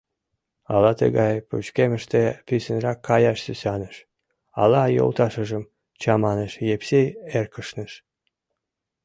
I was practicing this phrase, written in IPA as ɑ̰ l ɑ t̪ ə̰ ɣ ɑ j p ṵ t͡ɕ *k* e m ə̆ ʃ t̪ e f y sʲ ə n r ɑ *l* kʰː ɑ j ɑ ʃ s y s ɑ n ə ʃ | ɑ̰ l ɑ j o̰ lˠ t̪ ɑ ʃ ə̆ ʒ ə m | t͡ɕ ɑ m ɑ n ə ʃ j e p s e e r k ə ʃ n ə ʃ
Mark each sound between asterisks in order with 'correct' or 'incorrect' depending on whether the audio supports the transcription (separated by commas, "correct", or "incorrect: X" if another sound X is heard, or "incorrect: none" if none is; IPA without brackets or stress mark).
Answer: correct, incorrect: none